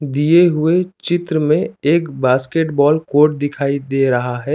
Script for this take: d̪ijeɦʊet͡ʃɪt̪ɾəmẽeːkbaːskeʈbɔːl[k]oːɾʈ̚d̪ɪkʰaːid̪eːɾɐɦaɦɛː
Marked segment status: correct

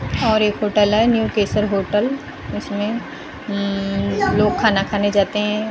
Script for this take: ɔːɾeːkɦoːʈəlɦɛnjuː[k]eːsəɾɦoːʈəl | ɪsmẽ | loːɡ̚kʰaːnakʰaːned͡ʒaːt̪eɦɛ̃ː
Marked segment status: correct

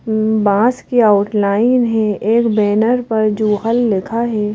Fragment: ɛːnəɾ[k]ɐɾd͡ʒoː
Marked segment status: incorrect: p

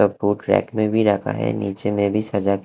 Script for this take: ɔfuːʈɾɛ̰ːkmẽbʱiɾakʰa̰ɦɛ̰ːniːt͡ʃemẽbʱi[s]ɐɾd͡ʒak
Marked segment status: correct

